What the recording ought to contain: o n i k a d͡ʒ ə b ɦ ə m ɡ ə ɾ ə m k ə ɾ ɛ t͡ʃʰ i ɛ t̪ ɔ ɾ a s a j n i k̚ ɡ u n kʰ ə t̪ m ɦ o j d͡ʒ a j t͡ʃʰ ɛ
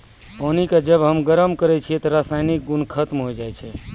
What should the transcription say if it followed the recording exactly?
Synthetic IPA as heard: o n i k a d͡ʒ ə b ɦ ə m ɡ ə ɾ ə m k ə ɾ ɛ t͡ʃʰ i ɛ t̪ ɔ ɾ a s a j n i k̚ ɡ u n kʰ ə t̪ m ɦ o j d͡ʒ a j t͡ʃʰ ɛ